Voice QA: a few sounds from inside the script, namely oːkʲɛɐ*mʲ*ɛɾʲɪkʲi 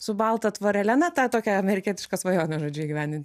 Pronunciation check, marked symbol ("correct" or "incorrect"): correct